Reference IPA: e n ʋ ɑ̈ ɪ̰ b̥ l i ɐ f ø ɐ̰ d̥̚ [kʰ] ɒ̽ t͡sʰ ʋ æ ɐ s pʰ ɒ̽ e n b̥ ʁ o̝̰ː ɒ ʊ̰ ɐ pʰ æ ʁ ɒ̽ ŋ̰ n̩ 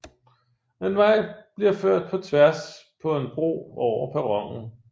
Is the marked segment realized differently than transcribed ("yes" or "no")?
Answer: yes